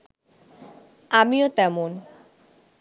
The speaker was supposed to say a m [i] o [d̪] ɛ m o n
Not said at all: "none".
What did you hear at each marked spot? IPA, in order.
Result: i, t̪

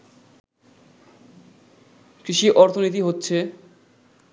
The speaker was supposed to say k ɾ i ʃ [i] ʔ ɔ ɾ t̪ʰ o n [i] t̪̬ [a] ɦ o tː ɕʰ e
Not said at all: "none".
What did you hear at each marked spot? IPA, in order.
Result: i, i, i

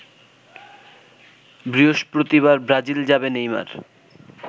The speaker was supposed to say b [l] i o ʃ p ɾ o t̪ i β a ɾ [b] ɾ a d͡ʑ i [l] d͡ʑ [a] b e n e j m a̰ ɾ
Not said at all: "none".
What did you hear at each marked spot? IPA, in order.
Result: ɾ, b, l, a

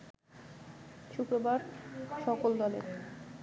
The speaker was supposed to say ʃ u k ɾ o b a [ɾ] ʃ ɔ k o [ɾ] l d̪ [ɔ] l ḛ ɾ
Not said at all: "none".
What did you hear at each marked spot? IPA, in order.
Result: ɾ, none, ɔ

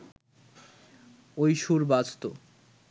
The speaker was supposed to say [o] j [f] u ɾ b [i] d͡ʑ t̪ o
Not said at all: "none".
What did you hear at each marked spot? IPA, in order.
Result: o, ʃ, a

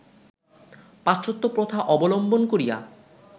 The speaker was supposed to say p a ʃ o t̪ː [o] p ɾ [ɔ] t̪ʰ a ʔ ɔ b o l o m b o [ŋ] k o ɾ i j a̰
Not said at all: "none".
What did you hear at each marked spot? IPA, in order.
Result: o, o, n

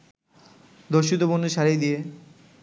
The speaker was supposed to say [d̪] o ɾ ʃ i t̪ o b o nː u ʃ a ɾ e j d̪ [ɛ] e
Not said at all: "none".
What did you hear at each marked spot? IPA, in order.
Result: d̪, i

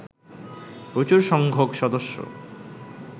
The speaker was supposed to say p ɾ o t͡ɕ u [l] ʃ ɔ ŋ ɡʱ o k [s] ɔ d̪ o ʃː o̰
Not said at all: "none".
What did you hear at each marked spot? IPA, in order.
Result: ɾ, ʃ

